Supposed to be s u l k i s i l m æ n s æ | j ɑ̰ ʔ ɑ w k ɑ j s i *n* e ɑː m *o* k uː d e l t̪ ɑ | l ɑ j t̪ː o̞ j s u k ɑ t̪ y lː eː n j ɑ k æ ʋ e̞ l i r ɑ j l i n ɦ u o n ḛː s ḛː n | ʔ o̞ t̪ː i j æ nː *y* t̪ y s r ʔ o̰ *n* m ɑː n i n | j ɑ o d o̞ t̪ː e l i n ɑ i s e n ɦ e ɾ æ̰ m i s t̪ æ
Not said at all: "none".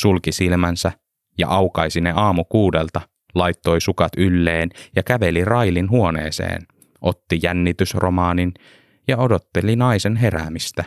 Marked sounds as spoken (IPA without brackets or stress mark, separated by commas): n, u, i, none